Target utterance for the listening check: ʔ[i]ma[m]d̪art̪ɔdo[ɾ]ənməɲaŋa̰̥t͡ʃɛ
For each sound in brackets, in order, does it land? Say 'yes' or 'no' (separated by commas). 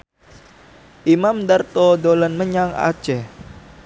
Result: yes, yes, no